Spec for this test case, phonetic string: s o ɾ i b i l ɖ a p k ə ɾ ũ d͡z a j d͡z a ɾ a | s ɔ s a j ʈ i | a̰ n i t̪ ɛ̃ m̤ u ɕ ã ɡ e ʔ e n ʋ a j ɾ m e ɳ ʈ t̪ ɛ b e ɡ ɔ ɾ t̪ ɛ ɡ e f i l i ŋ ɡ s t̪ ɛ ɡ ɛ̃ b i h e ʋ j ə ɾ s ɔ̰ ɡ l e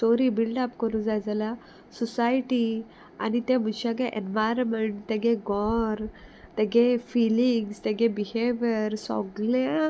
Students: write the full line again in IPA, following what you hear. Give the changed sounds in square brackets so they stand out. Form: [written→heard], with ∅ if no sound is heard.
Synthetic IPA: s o ɾ i b i l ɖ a p k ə ɾ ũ d͡z a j d͡z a [ɾ→l] a | s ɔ s a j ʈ i | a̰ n i t̪ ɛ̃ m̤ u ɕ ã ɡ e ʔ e n ʋ a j ɾ m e ɳ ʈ t̪ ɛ [b→ɡ] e ɡ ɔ ɾ t̪ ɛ ɡ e f i l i ŋ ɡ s t̪ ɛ ɡ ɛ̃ b i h e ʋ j ə ɾ s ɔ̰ ɡ l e